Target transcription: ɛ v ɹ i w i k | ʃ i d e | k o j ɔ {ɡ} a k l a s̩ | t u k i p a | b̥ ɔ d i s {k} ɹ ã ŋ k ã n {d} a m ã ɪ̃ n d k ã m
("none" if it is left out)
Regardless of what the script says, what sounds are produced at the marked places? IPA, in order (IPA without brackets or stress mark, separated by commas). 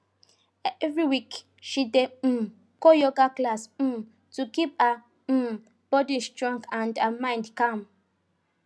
ɡ, t, d